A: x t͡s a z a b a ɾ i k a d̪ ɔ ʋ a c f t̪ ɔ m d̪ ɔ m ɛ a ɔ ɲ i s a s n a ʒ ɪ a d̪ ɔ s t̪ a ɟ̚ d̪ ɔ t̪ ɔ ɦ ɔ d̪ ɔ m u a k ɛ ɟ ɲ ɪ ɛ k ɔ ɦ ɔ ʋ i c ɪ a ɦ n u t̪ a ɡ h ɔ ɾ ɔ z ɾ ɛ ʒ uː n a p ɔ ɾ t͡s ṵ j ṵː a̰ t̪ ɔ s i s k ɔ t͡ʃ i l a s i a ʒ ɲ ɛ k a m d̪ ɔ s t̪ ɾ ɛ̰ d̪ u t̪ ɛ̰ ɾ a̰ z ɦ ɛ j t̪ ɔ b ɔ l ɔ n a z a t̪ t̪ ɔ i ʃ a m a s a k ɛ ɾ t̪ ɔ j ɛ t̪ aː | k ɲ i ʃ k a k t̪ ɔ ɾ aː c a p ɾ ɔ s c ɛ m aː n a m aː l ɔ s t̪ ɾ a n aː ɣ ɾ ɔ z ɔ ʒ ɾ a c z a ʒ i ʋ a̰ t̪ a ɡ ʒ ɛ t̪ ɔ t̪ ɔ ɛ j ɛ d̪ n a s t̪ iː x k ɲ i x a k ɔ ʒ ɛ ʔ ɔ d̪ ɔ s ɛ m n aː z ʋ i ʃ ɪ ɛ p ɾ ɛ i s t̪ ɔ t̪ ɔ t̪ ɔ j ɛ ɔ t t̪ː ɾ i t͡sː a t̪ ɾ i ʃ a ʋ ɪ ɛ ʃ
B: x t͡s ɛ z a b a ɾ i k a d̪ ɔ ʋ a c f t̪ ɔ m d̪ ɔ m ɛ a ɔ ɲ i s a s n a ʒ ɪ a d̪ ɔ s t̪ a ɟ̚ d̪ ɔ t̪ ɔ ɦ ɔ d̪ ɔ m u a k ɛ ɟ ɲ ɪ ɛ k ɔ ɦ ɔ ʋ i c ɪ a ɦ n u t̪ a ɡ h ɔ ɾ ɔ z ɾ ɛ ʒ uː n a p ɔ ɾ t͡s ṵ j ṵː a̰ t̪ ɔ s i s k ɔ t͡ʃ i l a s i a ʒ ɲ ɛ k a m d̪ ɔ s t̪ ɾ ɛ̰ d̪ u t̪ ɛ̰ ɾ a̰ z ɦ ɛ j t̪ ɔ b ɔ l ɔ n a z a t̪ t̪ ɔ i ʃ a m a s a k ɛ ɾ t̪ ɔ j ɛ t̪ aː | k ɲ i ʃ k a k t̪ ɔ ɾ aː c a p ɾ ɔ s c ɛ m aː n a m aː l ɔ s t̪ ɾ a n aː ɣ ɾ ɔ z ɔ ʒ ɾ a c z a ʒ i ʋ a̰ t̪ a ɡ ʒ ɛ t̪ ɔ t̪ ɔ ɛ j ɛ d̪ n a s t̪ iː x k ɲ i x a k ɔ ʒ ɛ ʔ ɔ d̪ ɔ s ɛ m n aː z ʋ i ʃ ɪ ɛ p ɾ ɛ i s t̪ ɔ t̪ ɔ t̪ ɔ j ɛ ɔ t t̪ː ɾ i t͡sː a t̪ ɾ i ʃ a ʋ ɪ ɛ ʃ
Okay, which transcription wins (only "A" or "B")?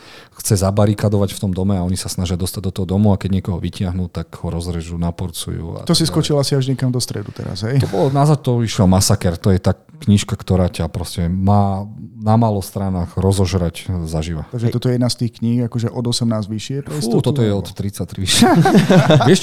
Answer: B